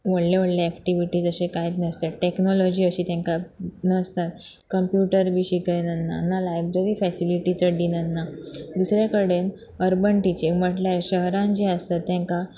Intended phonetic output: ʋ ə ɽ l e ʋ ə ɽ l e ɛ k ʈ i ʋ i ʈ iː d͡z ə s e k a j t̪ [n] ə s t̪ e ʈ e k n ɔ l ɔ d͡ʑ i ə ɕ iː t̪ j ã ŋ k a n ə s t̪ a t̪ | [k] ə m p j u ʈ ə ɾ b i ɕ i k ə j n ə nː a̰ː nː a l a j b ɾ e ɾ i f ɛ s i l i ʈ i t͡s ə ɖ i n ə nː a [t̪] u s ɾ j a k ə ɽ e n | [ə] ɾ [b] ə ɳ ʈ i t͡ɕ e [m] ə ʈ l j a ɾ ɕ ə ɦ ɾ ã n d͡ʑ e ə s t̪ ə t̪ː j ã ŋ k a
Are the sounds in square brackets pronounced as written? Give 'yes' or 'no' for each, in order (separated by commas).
yes, yes, no, yes, yes, yes